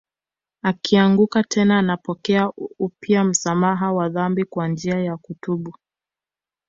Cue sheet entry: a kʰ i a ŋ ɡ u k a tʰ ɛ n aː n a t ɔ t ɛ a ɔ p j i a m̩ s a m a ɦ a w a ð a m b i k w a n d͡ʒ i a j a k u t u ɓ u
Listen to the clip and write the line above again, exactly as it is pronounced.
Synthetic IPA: a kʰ i a ŋ ɡ u k a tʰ ɛ n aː n a p ɔ k ɛ a u p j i a m̩ s a m a ɦ a w a ð a m b i k w a n d͡ʒ i a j a k u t u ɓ u